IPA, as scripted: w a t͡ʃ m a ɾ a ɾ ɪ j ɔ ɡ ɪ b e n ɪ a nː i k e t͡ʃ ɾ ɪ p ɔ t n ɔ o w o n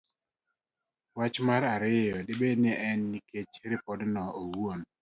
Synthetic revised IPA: w a t͡ʃ m a ɾ a ɾ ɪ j ɔ d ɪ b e n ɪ ɛ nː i k e t͡ʃ ɾ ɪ p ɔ d n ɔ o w o n